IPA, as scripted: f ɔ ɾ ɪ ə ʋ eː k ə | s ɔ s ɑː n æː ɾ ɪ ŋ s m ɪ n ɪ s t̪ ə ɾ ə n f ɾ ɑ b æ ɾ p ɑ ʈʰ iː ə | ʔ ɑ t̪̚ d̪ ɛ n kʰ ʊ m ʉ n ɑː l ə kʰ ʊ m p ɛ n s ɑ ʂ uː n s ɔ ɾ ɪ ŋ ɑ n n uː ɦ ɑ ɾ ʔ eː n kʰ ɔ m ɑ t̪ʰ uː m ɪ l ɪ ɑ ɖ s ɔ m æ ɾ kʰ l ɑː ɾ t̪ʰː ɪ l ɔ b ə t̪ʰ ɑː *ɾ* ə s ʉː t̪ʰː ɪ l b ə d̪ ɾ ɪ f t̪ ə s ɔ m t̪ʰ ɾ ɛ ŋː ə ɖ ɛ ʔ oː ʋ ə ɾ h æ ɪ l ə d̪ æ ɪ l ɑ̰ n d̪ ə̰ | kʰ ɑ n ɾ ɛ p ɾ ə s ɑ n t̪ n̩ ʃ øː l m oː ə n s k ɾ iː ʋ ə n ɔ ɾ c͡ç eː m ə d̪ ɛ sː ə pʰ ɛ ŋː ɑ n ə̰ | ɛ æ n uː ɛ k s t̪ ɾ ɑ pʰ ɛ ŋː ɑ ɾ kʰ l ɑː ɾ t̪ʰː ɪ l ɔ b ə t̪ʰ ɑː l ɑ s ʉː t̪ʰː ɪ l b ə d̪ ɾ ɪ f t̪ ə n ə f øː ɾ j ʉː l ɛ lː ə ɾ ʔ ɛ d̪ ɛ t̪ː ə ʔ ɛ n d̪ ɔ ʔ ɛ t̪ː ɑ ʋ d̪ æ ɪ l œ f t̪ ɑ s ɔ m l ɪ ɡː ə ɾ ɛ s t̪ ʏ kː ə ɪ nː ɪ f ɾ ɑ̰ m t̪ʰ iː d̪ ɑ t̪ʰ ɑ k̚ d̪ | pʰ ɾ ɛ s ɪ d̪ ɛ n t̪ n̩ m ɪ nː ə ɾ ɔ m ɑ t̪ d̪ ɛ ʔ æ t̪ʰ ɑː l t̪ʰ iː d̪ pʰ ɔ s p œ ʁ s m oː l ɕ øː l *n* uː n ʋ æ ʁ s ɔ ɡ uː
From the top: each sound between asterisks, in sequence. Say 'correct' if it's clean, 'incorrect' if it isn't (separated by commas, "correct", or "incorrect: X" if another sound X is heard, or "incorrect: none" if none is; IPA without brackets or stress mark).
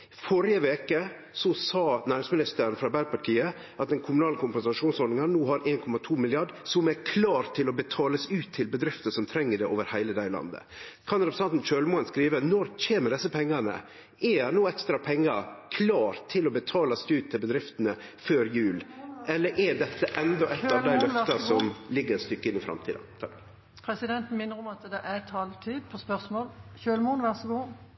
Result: incorrect: l, incorrect: m